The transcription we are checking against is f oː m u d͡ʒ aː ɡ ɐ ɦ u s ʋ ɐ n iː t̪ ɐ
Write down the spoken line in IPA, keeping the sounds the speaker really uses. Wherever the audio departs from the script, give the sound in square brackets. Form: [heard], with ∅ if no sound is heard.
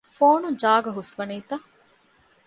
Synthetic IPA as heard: f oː [n] u d͡ʒ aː ɡ ɐ ɦ u s ʋ ɐ n iː t̪ ɐ